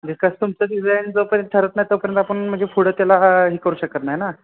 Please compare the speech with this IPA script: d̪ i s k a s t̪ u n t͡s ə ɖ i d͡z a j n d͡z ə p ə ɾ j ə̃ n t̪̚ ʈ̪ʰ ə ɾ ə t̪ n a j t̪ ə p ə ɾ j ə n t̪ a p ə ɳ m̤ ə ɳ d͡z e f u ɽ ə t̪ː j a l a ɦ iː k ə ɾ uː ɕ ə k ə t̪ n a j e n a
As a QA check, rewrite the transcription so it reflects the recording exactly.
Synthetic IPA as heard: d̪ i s k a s t̪ u m t͡s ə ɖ i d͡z a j n d͡z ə p ə ɾ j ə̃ n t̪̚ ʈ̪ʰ ə ɾ ə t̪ n a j t̪ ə p ə ɾ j ə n t̪ a p ə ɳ m̤ ə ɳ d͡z e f u ɽ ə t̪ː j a l a ɦ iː k ə ɾ uː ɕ ə k ə t̪ n a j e n a